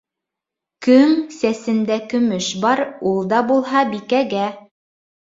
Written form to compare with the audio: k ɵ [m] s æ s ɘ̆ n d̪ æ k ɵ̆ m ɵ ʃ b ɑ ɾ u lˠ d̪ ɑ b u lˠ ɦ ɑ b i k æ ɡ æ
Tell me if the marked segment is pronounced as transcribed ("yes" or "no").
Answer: no